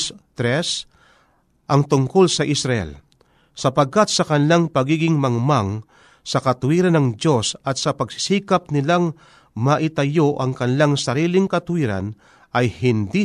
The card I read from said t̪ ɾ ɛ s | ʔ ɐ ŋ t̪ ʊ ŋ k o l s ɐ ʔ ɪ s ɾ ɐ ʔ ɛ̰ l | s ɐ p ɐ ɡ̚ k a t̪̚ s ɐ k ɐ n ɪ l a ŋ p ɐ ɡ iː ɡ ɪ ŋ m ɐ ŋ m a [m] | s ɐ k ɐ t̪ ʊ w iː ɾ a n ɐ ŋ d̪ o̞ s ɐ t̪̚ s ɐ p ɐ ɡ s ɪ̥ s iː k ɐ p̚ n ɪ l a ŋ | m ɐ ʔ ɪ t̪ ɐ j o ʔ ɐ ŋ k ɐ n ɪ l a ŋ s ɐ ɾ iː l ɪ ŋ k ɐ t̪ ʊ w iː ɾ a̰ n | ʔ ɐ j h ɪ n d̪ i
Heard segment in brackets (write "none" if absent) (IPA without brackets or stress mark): ŋ